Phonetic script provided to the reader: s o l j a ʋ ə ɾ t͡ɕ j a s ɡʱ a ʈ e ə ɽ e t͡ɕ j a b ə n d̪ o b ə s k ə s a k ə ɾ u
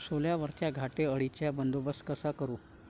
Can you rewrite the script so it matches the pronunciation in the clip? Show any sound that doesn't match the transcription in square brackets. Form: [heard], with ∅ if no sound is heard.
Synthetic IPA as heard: s o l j a ʋ ə ɾ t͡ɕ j a [∅] ɡʱ a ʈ e ə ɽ [i] t͡ɕ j a b ə n d̪ o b ə s k ə s a k ə ɾ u